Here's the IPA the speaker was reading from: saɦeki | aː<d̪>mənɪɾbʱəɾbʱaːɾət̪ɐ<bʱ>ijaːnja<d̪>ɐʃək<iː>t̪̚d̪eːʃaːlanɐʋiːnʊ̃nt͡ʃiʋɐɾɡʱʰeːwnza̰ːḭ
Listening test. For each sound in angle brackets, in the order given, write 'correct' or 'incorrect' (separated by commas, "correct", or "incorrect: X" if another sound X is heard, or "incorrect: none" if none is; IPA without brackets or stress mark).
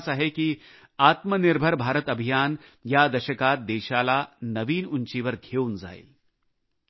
incorrect: t̪, correct, correct, incorrect: aː